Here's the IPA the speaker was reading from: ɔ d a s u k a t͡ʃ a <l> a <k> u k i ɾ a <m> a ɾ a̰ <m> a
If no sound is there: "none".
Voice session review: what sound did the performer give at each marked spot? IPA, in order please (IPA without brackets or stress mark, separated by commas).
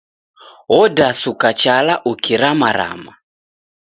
l, ʔ, m, m